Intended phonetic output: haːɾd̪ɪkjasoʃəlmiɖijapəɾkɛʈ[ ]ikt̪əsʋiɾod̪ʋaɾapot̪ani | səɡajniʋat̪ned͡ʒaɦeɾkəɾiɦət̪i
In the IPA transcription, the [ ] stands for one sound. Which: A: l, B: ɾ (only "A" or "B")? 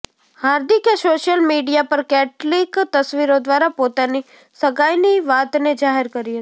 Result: A